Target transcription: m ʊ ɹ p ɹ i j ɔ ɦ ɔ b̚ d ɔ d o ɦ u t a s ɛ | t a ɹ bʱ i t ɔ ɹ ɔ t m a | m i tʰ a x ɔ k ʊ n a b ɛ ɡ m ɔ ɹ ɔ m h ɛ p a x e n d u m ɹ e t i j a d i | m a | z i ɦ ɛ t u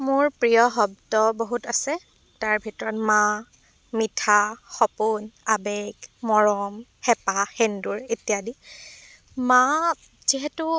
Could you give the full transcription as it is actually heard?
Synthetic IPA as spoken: m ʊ ɹ p ɹ i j ɔ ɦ ɔ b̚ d ɔ b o ɦ u t a s ɛ | t a ɹ bʱ i t ɔ ɹ ɔ t m a | m i tʰ a x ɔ p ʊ n a b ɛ ɡ m ɔ ɹ ɔ m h ɛ p a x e n d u ɹ e t i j a d i | m a | z i ɦ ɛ t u